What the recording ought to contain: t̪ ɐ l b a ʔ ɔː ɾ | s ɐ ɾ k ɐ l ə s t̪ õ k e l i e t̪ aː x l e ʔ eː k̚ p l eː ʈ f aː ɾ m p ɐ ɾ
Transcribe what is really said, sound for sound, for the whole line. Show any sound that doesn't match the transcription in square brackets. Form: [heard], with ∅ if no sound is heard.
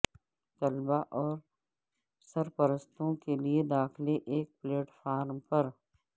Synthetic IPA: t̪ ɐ l b a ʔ ɔː ɾ | s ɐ ɾ [p] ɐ [ɾ] ə s t̪ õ k e l i e [d̪] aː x l e ʔ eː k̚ p l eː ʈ f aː ɾ m p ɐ ɾ

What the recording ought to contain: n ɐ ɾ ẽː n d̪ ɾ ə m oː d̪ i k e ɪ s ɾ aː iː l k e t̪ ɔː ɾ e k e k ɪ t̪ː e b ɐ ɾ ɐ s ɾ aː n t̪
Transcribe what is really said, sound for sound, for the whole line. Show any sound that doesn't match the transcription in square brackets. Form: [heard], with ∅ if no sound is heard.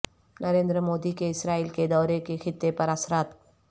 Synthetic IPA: n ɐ ɾ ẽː n d̪ ɾ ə m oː d̪ i k e ɪ s ɾ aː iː l k e [d̪] ɔː ɾ e k e [x] ɪ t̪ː e [p] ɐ ɾ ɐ s ɾ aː [∅] t̪

